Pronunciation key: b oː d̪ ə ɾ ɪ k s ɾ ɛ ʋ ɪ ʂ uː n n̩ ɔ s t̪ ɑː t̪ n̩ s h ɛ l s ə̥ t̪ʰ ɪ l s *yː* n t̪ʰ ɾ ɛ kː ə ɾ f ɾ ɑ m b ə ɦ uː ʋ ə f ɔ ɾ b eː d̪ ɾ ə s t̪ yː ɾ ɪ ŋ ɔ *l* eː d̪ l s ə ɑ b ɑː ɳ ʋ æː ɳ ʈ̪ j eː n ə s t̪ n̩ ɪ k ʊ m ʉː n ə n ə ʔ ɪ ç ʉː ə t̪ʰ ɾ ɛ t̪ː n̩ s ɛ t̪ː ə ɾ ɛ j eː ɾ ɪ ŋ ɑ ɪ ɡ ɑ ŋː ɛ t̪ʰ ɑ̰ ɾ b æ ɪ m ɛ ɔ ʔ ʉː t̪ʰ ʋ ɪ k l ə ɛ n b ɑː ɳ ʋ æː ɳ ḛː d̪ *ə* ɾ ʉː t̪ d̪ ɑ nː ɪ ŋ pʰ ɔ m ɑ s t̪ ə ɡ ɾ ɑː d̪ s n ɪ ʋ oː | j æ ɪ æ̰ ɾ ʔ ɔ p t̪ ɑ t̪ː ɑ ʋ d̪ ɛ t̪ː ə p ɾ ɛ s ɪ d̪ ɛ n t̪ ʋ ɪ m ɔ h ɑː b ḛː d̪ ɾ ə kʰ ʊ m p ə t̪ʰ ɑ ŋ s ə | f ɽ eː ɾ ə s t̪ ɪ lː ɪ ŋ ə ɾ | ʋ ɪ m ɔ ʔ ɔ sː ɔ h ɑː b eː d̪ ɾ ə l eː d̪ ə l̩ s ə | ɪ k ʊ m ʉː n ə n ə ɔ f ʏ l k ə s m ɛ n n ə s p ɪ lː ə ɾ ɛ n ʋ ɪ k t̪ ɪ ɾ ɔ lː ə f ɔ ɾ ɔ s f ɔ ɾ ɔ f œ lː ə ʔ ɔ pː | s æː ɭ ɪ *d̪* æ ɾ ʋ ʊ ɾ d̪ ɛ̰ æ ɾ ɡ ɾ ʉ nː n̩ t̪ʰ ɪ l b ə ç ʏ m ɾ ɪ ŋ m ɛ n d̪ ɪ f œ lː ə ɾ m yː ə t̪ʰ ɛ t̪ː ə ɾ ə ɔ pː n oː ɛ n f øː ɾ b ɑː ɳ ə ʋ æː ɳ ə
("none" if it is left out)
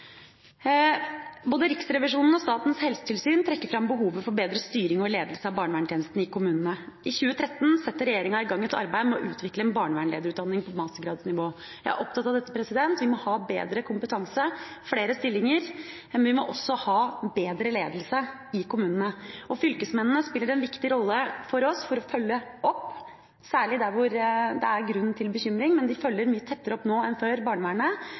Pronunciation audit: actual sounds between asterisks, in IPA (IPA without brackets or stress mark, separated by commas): yː, l, ə, d̪